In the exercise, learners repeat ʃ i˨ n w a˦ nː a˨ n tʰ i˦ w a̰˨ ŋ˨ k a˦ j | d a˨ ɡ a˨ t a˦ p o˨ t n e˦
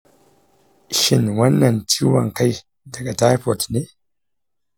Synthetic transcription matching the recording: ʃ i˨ n w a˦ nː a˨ n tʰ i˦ w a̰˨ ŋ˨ k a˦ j | d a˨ ɡ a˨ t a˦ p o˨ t n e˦